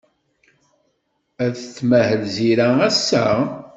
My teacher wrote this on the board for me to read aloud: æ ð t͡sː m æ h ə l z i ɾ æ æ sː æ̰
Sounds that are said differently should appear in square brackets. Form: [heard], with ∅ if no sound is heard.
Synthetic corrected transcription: æ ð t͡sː m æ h ə l z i ɾ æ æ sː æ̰

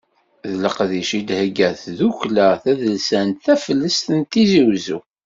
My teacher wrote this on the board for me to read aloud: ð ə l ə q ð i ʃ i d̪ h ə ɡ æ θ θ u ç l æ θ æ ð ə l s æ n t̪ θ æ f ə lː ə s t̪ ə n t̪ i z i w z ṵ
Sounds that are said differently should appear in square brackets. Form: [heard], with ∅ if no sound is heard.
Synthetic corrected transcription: ð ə l ə q ð i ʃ i d̪ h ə ɡ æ θ [ð] u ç l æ θ æ ð ə l s æ n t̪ θ æ f ə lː ə s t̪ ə n t̪ i z i w z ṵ

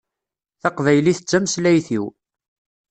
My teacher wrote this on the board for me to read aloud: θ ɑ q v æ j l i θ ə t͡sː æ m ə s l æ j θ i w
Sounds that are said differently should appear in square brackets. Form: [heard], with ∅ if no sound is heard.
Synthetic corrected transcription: θ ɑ q v æ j l i θ ə t͡sː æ m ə s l æ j θ i w

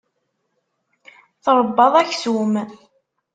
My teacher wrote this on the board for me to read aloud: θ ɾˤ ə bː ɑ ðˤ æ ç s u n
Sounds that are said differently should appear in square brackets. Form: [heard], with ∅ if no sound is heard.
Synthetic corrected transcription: θ ɾˤ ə bː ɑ ðˤ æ ç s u [m]

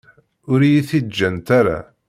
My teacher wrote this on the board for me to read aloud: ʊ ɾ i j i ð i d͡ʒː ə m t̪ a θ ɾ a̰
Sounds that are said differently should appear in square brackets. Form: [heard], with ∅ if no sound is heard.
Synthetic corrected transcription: ʊ ɾ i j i [θ] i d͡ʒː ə [n] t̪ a [∅] ɾ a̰

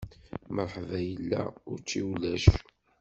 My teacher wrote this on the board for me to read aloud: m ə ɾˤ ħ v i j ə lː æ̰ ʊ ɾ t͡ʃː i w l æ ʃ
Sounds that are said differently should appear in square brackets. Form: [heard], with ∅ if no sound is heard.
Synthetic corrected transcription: m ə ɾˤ ħ v [æ] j ə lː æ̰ ʊ ɾ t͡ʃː i w l æ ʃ

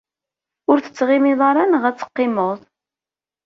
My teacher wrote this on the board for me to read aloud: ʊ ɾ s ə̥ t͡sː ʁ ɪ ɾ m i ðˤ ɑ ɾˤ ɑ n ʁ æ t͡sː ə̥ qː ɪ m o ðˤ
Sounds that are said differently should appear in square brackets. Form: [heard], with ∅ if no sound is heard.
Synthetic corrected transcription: ʊ ɾ [θ] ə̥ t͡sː ʁ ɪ [∅] m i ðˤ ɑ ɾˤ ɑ n ʁ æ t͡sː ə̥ qː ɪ m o ðˤ

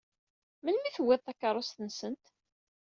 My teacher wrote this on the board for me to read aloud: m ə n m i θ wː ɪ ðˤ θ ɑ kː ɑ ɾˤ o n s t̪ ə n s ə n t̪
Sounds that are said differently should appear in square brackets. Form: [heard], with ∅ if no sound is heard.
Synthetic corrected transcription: m ə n m i θ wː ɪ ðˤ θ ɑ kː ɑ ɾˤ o [∅] s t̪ ə n s ə n t̪

